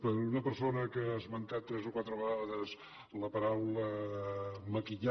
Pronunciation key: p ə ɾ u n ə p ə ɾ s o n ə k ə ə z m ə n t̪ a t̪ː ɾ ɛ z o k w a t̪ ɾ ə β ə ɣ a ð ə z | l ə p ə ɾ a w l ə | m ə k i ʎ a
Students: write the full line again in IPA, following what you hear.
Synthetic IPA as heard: p ə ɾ u n ə p ə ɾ s o n ə k ə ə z m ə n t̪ a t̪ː ɾ ɛ z o k w a t̪ ɾ ə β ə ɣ a ð ə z | l ə p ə ɾ a w l ə | m ə k i ʎ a

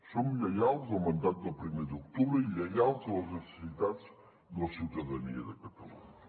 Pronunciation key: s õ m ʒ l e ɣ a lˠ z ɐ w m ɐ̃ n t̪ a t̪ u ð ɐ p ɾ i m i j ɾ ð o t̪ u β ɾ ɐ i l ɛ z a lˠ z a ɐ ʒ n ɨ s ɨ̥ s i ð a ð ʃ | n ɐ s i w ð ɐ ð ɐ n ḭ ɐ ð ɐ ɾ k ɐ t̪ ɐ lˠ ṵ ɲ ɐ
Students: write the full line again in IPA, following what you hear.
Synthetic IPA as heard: s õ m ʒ l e ɣ a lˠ z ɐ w m ɐ̃ n d̪ a t̪ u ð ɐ p ɾ i m e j ɾ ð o t̪ u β ɾ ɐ i l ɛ ɣ a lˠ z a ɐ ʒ n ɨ s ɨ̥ s i ð a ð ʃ | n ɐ s i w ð ɐ ð ɐ n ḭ ɐ ð ɐ k ɐ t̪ ɐ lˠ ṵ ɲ ɐ

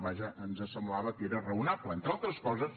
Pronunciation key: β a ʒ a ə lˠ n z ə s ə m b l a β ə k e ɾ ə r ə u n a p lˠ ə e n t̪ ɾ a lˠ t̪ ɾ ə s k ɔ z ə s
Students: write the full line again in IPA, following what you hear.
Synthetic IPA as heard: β a ʒ ə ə n z ə s ə m b l a β ə k e ɾ ə r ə u n a p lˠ ə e n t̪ ɾ a lˠ t̪ ɾ ə s k ɔ z ə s

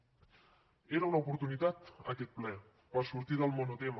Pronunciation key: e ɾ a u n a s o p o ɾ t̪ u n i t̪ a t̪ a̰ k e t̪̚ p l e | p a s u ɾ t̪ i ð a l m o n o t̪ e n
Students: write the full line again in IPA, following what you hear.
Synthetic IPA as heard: e ɾ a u n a o p o ɾ t̪ u n i t̪ a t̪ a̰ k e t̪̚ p l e | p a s u ɾ t̪ i ð a l m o n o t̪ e m

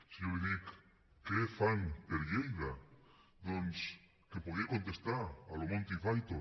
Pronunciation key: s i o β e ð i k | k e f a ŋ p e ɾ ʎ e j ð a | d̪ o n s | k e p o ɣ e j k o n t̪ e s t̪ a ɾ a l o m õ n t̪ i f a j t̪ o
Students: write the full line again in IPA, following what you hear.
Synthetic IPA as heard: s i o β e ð i k | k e f a ŋ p e ɾ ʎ e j ð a | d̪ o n s | k e p o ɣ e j k o n t̪ e s t̪ a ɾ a l o m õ n t̪ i f a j t̪ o

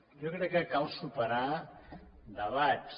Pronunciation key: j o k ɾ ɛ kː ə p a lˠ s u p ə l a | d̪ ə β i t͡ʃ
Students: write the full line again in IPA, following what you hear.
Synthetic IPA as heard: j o k ɾ ɛ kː ə k a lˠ s u p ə ɾ a | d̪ ə β a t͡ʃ

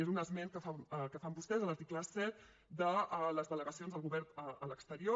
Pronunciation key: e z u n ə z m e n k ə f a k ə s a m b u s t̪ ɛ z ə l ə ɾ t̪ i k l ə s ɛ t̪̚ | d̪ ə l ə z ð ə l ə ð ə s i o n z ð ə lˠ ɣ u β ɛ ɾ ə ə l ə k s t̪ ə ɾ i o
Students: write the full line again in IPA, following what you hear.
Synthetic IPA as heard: e z u n ə z m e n k ə f a k ə f a m b u s t̪ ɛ z ə l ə ɾ t̪ i k l ə s ɛ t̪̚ | d̪ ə l ə z ð ə l ə ɣ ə s i o n z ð ə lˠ ɣ u β ɛ ɾ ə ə l ə k s t̪ ə ɾ i o

